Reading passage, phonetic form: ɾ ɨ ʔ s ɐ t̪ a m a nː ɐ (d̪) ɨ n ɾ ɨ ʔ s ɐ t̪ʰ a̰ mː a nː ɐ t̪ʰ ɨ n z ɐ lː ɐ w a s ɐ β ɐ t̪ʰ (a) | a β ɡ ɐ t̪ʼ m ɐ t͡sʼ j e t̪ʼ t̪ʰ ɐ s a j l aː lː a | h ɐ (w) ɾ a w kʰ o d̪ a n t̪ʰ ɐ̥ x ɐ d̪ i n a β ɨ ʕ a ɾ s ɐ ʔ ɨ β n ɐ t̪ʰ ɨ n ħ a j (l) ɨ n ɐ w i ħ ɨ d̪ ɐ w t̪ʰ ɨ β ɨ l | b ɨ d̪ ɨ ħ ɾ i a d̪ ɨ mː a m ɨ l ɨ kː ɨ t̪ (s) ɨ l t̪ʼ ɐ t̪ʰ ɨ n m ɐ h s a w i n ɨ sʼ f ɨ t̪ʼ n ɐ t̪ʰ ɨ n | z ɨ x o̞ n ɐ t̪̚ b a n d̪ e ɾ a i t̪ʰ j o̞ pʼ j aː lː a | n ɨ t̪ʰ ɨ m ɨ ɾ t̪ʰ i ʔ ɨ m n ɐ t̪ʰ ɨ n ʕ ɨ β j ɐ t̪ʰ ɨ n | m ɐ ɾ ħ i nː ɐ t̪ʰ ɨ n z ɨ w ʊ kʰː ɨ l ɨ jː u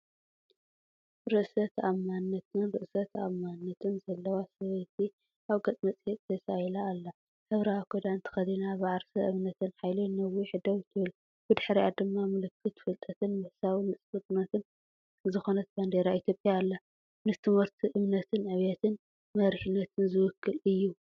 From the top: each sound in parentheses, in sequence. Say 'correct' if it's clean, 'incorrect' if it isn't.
incorrect, incorrect, incorrect, correct, incorrect

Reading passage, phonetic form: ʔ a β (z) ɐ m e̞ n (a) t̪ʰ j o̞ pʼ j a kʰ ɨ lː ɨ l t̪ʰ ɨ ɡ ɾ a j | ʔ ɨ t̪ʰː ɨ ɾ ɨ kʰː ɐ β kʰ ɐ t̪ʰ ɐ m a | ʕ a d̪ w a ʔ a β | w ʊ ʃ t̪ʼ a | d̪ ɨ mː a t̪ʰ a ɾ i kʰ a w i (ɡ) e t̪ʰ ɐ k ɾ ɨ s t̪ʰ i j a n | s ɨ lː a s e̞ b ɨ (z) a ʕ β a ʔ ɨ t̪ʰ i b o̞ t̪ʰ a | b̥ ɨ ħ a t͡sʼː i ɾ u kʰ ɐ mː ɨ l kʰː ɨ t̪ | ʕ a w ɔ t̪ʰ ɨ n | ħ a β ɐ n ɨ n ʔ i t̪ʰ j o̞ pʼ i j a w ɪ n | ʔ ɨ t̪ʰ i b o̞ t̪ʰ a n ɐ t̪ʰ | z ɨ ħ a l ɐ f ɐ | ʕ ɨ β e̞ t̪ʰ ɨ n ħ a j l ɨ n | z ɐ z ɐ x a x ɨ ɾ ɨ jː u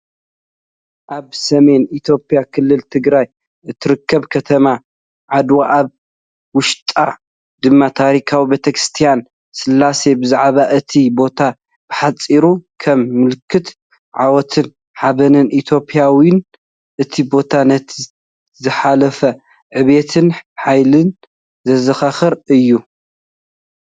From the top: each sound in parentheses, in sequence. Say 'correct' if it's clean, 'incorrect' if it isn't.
incorrect, incorrect, incorrect, correct

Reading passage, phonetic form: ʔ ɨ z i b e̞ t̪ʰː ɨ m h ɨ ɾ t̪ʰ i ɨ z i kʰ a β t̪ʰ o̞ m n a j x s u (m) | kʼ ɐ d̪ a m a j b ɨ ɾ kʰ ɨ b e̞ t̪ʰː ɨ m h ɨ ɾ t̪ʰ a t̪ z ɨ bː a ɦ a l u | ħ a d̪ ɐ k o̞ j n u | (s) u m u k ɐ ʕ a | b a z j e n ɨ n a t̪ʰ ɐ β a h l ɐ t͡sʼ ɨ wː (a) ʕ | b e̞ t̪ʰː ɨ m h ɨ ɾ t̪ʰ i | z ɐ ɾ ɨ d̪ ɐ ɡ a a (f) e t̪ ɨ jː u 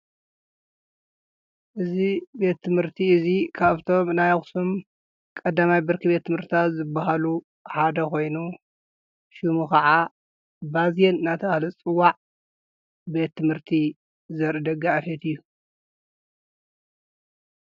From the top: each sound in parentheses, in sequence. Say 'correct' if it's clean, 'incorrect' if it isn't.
correct, incorrect, correct, correct

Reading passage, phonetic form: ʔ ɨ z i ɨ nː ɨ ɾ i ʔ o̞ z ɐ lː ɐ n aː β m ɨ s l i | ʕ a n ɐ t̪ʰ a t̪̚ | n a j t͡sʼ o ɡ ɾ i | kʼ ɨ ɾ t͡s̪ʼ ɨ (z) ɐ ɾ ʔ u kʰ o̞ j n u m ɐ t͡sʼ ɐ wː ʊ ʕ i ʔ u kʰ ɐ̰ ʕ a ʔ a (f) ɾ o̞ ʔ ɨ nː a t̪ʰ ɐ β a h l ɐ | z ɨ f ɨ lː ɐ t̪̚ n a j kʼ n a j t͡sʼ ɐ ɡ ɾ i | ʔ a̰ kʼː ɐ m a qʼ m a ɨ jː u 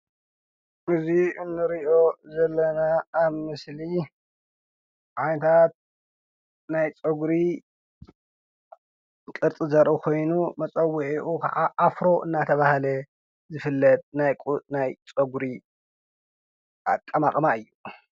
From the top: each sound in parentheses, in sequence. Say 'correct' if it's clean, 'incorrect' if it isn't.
correct, correct

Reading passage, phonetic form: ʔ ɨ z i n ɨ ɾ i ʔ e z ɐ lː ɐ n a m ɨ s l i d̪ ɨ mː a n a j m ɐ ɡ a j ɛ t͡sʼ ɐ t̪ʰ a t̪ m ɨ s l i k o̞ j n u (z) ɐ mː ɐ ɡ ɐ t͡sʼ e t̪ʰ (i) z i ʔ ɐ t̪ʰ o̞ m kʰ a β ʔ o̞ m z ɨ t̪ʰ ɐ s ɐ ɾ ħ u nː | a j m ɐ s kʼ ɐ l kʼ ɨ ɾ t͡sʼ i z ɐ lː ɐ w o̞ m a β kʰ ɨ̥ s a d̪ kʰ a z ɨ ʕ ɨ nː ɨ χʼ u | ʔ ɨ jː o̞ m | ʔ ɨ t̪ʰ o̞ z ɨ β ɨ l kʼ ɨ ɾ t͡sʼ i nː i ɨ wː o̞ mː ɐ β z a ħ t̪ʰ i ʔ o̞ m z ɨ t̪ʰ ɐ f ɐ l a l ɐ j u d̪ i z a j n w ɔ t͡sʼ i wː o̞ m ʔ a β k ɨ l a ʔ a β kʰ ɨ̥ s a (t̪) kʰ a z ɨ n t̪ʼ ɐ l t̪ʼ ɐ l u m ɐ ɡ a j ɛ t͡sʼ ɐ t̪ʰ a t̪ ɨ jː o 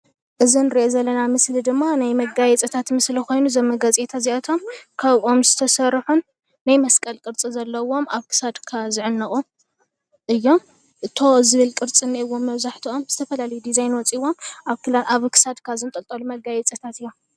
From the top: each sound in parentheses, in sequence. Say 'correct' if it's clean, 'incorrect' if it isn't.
correct, incorrect, incorrect

